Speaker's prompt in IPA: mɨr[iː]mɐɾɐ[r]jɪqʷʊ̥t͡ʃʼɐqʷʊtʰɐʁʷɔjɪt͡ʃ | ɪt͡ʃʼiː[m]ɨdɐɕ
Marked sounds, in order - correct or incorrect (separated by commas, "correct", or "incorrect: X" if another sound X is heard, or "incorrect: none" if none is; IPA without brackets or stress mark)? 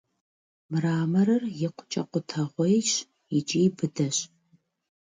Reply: incorrect: aː, correct, incorrect: b